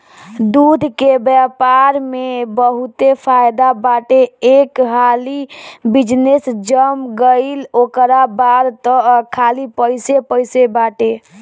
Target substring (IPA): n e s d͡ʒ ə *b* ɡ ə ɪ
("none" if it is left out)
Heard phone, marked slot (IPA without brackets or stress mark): m